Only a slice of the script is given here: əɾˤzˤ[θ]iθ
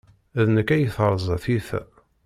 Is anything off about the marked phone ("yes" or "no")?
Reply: no